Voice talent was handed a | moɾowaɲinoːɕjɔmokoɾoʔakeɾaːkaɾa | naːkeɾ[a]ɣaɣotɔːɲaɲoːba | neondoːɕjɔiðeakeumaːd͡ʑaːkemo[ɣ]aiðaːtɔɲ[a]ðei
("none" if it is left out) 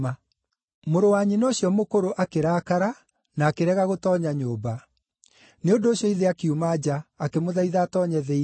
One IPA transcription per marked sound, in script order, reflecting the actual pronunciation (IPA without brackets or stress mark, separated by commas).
ɛ, ð, ɛ